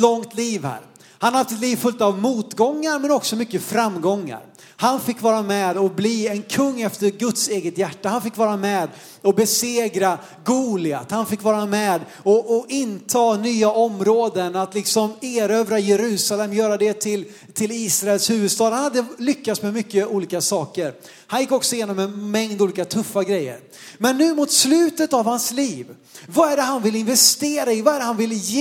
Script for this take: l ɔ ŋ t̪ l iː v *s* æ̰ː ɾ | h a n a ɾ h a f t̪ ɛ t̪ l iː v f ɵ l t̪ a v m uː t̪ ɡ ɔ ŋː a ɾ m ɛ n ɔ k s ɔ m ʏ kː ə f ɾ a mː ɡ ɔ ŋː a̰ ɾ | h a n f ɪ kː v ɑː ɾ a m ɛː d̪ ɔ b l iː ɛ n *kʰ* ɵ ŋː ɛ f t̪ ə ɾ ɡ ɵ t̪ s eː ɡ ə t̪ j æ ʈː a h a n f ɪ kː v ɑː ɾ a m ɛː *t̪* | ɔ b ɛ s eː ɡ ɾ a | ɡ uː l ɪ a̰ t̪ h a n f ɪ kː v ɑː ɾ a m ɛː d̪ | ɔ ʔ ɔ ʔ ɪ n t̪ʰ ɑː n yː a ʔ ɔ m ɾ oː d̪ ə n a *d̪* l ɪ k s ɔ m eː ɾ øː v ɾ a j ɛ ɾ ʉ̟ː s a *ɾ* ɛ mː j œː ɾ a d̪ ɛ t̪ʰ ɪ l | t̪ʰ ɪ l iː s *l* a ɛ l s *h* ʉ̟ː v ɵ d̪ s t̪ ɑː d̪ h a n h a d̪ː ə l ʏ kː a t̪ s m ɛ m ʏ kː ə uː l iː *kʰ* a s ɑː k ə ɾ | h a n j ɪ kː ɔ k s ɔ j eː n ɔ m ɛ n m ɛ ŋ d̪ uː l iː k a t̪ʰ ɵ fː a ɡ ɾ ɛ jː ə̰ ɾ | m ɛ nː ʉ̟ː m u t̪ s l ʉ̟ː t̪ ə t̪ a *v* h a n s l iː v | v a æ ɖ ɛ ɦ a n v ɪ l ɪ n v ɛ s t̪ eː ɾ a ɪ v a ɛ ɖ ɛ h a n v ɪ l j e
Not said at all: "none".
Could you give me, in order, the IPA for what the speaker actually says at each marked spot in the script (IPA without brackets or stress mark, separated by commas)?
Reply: h, kʰ, d̪, t̪, l, ɾ, h, k, v